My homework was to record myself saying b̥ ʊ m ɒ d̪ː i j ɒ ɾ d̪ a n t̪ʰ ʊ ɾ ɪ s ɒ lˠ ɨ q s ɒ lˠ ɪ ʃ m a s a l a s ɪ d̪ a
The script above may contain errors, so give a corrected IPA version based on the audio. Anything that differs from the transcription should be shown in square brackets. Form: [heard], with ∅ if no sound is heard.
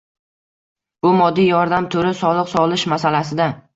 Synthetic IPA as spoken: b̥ ʊ m ɒ d̪ː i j ɒ ɾ d̪ a [m] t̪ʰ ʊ ɾ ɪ s ɒ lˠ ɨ q s ɒ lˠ ɪ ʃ m a s a l a s ɪ d̪ a

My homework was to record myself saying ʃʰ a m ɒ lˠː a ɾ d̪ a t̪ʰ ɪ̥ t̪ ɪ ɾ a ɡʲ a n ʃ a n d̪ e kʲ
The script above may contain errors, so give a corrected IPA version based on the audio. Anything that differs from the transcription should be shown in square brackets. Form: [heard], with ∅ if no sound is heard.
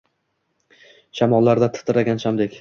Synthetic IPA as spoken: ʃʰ a m ɒ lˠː a ɾ d̪ a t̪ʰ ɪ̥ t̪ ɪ ɾ a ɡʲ a n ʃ a [m] d̪ e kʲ

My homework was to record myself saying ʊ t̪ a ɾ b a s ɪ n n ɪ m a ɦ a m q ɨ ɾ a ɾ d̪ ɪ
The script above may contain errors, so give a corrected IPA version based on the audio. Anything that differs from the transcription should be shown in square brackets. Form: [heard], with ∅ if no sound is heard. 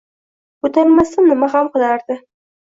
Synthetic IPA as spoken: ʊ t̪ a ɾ [m] a s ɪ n n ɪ m a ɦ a m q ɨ [l] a ɾ d̪ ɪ

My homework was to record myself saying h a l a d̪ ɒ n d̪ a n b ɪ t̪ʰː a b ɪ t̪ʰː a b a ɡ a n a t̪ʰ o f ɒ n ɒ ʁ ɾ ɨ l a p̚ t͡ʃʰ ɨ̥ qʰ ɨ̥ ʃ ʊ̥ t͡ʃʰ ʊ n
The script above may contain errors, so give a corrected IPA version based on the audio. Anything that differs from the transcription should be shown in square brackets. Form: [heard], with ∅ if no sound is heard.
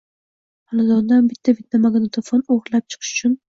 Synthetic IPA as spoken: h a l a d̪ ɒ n d̪ a n b ɪ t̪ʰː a b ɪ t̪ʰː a [m] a ɡ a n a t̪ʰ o f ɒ n [o] ʁ ɾ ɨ l a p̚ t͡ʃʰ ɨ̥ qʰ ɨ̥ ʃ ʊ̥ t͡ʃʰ ʊ n

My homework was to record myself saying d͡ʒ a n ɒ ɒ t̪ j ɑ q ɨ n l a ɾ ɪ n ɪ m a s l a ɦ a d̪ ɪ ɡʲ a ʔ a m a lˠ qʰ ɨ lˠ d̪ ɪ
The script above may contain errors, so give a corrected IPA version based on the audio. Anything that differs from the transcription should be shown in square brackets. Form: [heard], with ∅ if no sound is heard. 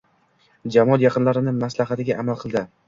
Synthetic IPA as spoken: d͡ʒ a [m] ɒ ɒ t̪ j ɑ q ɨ n l a ɾ ɪ n ɪ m a s l a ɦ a [t̪] ɪ ɡʲ a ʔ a m a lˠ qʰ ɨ lˠ d̪ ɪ

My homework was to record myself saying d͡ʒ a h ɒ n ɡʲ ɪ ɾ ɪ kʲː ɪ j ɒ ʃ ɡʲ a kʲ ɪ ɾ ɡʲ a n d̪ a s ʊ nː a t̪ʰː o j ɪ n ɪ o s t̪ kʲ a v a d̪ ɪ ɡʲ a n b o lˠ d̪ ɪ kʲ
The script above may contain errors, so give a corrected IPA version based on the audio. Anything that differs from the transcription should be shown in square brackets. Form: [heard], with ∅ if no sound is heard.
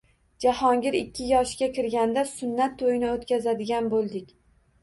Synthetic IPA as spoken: d͡ʒ a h ɒ [ŋ] ɡʲ ɪ ɾ ɪ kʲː ɪ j ɒ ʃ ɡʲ a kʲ ɪ ɾ ɡʲ a n d̪ a s ʊ nː a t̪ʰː o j ɪ n ɪ o [∅] t̪ kʲ a [z] a d̪ ɪ ɡʲ a n b o lˠ d̪ ɪ kʲ

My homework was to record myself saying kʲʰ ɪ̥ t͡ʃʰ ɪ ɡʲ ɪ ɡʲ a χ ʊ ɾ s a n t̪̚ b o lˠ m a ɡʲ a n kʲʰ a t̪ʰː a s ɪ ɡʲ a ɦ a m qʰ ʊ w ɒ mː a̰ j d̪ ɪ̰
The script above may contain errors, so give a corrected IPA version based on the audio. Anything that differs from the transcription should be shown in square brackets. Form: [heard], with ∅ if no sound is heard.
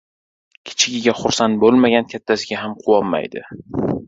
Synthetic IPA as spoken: kʲʰ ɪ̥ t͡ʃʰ ɪ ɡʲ ɪ ɡʲ a χ ʊ ɾ s a n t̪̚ b o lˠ m a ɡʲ a n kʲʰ a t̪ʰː a s ɪ ɡʲ a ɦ a m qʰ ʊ w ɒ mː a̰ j d̪ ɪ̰

